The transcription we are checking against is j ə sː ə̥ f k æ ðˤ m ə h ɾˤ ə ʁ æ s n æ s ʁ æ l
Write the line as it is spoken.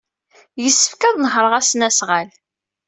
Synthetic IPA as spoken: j ə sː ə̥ f k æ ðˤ n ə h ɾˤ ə ʁ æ s n æ s ʁ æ l